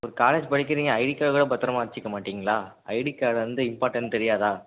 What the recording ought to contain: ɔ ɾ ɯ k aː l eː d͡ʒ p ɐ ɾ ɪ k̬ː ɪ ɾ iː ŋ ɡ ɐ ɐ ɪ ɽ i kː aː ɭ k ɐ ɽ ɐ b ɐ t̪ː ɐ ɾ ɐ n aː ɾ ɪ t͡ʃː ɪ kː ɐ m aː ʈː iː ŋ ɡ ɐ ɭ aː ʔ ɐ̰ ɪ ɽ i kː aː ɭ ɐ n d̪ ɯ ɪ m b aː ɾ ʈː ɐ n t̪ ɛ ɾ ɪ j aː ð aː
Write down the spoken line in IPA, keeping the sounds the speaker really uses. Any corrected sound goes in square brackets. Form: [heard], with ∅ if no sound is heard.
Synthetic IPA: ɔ ɾ ɯ k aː l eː d͡ʒ p ɐ [ɽ] ɪ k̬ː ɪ ɾ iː ŋ ɡ ɐ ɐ ɪ ɽ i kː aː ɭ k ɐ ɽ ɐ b ɐ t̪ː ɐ ɾ ɐ [m] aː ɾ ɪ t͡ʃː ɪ kː ɐ m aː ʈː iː ŋ ɡ ɐ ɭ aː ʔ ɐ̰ ɪ ɽ i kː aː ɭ ɐ n d̪ ɯ ɪ m [p] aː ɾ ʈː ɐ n t̪ ɛ ɾ ɪ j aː ð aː

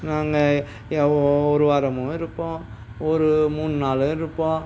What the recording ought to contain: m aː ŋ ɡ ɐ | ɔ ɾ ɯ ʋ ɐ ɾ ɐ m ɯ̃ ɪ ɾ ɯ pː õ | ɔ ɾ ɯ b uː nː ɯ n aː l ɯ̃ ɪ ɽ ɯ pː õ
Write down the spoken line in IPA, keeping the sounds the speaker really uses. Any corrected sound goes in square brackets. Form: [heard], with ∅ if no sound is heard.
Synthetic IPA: [n] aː ŋ ɡ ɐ | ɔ ɾ ɯ ʋ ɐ ɾ ɐ m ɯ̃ ɪ ɾ ɯ pː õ | ɔ ɾ ɯ [m] uː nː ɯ n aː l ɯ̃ ɪ [ɾ] ɯ pː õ

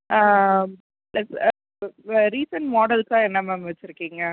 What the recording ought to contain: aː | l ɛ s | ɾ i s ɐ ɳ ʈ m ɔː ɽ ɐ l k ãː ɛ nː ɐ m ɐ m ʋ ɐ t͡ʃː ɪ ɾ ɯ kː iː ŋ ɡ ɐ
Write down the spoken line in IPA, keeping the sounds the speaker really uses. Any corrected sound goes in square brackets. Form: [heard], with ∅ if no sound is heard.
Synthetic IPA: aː | l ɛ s | ɾ [iː] s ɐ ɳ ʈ m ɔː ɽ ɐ l k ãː ɛ nː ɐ m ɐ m ʋ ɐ t͡ʃː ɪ ɾ ɯ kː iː ŋ ɡ ɐ

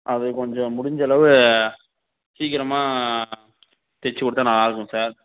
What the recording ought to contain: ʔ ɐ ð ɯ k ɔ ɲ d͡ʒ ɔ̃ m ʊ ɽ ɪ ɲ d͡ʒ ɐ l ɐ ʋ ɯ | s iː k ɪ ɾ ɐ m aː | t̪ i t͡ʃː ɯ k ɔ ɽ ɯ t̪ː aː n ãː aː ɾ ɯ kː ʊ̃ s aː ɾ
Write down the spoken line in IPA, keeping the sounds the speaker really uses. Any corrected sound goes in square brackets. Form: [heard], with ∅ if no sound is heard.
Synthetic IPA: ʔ ɐ ð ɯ k ɔ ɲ d͡ʒ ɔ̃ m ʊ ɽ ɪ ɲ d͡ʒ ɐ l ɐ ʋ ɯ | s iː k ɪ ɾ ɐ m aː | t̪ [ɛ] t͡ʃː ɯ k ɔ ɽ ɯ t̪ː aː n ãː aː ɾ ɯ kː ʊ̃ s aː ɾ

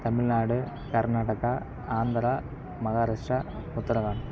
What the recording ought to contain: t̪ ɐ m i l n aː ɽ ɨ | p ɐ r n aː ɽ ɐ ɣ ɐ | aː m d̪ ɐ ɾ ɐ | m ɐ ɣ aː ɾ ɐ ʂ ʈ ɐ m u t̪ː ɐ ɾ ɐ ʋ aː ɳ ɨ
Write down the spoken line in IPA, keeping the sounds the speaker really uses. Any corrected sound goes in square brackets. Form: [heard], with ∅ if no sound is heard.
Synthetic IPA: t̪ ɐ m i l n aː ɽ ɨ | [k] ɐ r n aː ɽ ɐ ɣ ɐ | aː [n] d̪ ɐ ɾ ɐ | m ɐ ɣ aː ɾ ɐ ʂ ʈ ɐ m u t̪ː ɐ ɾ ɐ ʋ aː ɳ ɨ

